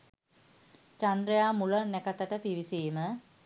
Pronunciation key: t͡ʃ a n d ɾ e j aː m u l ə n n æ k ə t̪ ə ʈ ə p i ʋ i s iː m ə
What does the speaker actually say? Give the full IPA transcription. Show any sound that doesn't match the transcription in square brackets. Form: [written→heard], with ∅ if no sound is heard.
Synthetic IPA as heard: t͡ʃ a n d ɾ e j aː m u l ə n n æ k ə t̪ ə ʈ ə p i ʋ i s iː m ə